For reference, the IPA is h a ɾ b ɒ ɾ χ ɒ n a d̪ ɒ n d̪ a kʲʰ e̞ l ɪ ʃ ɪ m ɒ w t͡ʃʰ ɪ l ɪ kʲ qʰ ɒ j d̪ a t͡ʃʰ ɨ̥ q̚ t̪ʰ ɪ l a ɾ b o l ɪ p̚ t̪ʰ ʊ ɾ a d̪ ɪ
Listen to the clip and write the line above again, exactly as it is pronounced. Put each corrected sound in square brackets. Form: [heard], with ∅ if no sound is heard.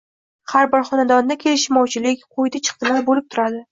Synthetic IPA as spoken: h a ɾ b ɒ ɾ χ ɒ n a d̪ ɒ n d̪ a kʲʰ e̞ l ɪ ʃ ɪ m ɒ w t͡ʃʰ ɪ l ɪ kʲ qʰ [o] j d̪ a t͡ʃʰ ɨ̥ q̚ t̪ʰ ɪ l a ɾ b o l ɪ p̚ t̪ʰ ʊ ɾ a d̪ ɪ